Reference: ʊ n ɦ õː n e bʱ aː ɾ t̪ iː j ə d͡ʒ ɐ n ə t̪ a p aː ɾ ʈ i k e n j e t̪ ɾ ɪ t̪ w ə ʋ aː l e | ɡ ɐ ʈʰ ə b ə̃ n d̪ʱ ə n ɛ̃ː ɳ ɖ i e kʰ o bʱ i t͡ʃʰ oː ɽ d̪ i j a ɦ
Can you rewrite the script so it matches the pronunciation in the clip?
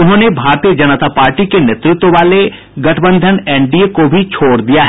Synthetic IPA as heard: ʊ n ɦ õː n e bʱ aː ɾ t̪ i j ə d͡ʒ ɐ n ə t̪ a p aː ɾ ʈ i k e n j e t̪ ɾ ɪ t̪ w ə ʋ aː l e | ɡ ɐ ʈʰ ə b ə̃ n d̪ʱ ə n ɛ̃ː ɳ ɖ i e k o bʱ i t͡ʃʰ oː ɽ d̪ i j a ɦ